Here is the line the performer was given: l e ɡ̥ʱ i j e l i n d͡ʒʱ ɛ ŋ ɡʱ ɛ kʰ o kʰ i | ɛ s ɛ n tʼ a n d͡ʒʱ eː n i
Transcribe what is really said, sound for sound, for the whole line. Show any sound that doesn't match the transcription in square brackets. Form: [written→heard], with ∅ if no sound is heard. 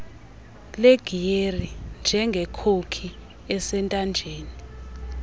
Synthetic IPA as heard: l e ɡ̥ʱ i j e [l→r] i n d͡ʒʱ ɛ ŋ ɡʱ ɛ kʰ o kʰ i | ɛ s ɛ n tʼ a n d͡ʒʱ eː n i